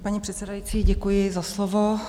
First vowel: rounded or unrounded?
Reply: unrounded